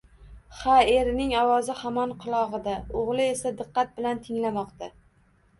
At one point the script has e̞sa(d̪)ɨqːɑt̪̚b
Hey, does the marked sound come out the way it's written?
yes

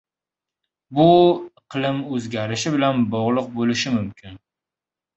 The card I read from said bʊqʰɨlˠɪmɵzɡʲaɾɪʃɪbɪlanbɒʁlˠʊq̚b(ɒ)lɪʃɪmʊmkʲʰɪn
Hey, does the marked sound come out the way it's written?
no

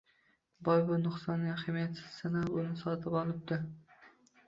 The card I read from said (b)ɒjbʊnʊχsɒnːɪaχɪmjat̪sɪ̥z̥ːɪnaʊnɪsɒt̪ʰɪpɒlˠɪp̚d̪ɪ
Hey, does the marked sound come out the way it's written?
yes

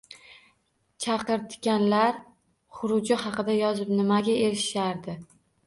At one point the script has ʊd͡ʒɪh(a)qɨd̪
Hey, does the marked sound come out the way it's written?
no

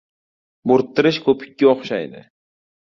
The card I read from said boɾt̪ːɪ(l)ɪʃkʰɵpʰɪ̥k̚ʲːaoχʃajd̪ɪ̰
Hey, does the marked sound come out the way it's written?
no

